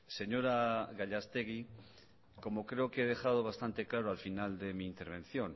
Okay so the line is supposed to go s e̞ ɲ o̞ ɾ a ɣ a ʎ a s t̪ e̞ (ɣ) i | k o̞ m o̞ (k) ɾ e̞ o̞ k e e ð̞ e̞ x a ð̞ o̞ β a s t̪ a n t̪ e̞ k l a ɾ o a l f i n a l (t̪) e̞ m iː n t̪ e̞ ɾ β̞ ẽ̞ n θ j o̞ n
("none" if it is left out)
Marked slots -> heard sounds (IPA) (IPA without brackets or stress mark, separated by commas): ɣ, k, d̪